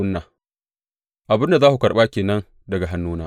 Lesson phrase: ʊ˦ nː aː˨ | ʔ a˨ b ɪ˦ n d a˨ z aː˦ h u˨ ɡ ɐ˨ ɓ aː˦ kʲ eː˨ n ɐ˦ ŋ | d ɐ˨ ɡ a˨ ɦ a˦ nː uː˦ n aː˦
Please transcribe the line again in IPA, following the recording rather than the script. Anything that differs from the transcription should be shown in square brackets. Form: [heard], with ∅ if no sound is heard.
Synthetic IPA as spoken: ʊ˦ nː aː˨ | ʔ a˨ b ɪ˦ n d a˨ z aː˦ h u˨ [k] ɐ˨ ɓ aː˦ kʲ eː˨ n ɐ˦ [n] | d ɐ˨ ɡ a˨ ɦ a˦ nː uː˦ n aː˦